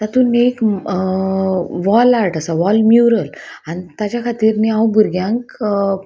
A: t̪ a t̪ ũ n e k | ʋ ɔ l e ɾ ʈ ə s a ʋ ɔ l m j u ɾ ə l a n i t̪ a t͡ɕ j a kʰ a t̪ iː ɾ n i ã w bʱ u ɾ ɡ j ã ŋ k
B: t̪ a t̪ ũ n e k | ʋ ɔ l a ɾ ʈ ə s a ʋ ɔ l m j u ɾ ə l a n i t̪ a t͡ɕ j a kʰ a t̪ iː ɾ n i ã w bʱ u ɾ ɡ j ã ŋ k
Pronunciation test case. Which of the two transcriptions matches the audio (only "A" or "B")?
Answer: B